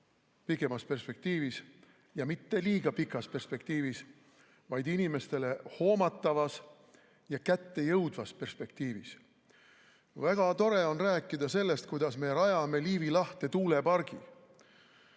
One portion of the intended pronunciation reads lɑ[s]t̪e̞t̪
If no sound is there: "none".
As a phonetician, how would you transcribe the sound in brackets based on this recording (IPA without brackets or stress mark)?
h